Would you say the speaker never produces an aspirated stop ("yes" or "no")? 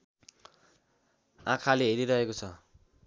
no